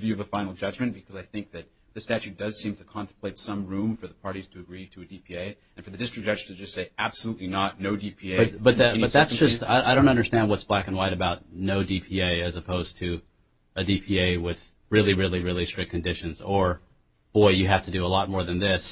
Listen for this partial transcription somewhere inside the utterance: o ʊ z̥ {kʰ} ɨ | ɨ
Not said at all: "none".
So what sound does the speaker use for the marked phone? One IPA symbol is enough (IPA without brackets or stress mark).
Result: tʰ